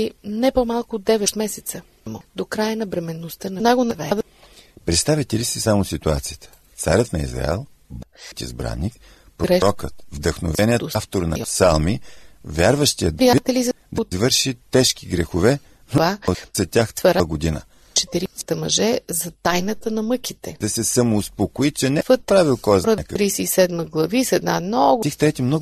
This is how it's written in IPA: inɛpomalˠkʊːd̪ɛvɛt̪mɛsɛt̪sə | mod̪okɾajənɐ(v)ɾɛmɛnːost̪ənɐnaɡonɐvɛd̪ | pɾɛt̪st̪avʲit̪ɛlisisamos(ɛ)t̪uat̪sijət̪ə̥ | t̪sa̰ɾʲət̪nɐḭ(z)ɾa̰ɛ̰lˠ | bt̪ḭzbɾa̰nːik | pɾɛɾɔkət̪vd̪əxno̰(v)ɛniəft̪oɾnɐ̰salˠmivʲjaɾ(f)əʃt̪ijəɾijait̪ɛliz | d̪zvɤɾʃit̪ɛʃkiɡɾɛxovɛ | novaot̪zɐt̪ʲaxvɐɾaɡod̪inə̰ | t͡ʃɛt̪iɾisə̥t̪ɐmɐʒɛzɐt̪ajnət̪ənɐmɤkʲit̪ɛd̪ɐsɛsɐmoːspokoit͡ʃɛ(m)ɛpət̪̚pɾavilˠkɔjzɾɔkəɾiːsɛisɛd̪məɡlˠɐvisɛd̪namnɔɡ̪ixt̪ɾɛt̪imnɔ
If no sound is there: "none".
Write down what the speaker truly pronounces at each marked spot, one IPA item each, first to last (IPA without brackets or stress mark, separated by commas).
b, i, z, v, v, n